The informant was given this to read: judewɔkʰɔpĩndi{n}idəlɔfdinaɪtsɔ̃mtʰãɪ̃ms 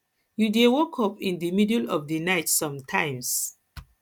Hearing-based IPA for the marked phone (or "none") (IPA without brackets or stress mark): m